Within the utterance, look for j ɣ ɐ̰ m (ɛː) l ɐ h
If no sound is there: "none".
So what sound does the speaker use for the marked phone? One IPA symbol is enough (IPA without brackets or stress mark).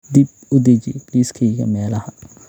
ɛː